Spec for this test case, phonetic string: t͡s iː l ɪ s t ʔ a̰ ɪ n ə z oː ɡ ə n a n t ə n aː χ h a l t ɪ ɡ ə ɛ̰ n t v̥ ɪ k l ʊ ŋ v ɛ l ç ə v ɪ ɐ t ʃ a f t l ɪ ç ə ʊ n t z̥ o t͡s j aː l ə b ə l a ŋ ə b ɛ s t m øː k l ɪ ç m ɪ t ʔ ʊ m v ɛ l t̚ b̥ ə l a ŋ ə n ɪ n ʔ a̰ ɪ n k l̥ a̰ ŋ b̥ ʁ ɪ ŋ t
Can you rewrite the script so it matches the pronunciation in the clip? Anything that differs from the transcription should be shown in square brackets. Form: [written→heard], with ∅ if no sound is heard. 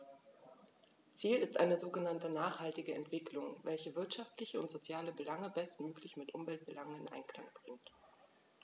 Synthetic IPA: t͡s iː l ɪ s t ʔ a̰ ɪ n ə z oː ɡ ə n a n t ə n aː χ h a l t ɪ ɡ ə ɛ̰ n t v̥ ɪ k l ʊ ŋ v ɛ l ç ə v ɪ ɐ t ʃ a f t l ɪ ç ə ʊ n t z̥ o t͡s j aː l ə b ə l a ŋ ə b ɛ s t m øː k l ɪ ç m ɪ t ʔ ʊ m v ɛ l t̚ b̥ ə l a ŋ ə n ɪ n ʔ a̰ ɪ n k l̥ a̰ ŋ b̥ ʁ ɪ ŋ t